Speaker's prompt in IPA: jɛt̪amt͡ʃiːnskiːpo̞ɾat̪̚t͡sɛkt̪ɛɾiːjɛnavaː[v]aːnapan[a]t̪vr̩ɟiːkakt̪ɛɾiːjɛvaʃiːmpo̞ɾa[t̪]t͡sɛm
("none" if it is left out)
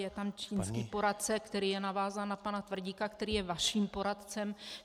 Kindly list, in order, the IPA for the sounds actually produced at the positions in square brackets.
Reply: z, a, t̪

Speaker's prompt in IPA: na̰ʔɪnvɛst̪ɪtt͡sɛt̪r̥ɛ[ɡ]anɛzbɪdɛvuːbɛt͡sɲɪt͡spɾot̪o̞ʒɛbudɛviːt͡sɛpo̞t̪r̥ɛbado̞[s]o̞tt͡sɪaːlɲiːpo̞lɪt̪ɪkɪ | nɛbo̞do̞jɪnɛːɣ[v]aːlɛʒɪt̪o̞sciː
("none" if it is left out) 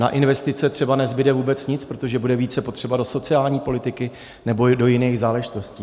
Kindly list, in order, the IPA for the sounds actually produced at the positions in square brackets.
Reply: b, s, z

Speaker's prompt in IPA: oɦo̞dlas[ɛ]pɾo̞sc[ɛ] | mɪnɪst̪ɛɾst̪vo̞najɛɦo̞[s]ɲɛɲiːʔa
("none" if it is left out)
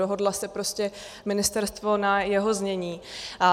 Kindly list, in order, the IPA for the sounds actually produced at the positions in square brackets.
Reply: ɛ, ɛ, z

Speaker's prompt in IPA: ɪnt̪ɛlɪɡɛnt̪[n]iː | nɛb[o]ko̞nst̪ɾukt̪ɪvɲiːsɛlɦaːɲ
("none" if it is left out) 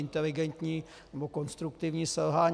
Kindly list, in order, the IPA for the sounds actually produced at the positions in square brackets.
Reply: ɲ, o

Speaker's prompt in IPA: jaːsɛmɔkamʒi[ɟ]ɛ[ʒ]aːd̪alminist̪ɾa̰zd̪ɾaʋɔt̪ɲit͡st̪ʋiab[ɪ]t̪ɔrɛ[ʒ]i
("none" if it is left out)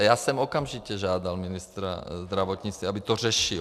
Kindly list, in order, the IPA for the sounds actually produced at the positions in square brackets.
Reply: c, ʒ, i, ʃ

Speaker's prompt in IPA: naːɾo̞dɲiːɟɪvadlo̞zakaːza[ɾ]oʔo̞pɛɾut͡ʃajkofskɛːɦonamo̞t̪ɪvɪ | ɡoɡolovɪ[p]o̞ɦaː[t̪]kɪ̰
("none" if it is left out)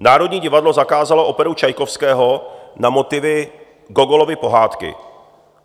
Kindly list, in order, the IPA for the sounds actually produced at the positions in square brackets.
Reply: l, p, t̪

